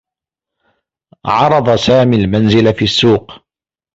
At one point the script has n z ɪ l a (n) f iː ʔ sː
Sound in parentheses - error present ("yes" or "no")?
yes